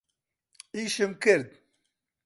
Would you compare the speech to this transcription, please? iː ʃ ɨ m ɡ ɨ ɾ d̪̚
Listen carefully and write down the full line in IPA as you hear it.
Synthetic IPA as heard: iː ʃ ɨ m k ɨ ɾ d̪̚